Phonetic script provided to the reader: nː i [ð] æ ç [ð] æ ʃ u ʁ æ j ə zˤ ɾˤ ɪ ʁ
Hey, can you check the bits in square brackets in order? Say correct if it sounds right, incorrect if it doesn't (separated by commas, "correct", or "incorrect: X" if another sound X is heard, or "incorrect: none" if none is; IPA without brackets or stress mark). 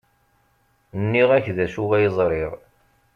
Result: incorrect: ʁ, correct